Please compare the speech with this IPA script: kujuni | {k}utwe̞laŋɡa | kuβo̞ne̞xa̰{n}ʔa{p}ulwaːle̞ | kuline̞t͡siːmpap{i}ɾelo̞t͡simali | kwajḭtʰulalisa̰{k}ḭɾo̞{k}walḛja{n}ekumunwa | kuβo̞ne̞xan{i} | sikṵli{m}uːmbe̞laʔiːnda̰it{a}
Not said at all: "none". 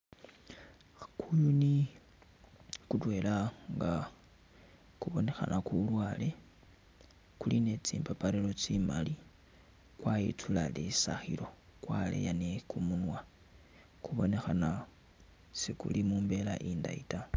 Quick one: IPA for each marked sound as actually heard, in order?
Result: k, n, k, a, x, k, n, a, m, a

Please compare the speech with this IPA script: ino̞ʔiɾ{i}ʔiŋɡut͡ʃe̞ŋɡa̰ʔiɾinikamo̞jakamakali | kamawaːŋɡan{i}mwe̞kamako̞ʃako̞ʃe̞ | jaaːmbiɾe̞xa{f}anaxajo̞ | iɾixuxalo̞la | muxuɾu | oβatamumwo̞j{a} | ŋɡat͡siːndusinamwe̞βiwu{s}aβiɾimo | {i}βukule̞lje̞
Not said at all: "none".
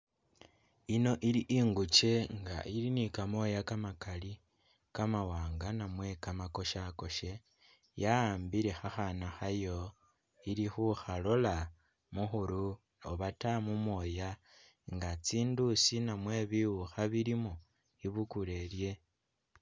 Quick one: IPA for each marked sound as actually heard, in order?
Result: i, a, x, a, x, i

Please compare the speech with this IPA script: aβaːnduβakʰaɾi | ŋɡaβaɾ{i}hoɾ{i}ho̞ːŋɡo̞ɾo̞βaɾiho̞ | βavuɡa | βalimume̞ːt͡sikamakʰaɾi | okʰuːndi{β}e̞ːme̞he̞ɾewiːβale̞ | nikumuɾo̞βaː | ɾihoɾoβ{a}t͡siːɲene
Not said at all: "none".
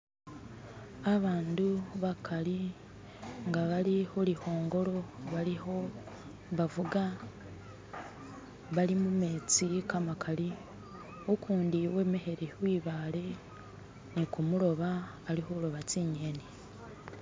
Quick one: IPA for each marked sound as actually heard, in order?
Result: i, i, w, a

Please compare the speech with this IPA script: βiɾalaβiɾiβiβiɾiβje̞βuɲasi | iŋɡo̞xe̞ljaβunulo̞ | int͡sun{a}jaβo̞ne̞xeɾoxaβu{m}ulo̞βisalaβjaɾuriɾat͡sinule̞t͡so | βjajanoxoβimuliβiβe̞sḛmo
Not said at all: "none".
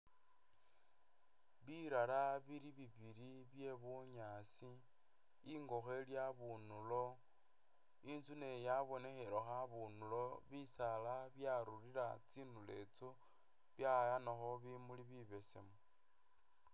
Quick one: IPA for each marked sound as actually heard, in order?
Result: e, n

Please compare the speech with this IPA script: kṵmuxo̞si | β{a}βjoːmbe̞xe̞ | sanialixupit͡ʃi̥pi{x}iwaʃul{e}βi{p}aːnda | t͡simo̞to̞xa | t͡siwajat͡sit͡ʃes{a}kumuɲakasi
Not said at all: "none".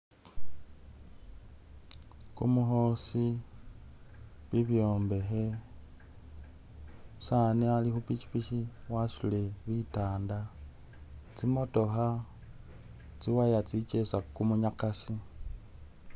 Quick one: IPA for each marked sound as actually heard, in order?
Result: i, ʃ, e, t, a

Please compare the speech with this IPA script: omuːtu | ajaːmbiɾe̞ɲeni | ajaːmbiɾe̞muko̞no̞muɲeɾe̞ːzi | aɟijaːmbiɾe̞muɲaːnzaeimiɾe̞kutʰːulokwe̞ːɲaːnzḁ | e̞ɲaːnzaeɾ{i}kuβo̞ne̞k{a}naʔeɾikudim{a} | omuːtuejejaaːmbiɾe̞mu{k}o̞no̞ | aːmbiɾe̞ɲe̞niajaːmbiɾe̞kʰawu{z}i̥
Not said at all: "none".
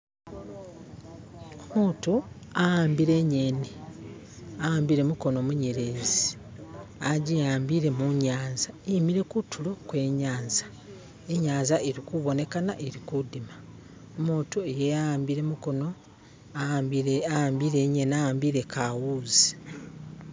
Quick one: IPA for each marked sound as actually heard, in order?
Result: i, a, a, k, z

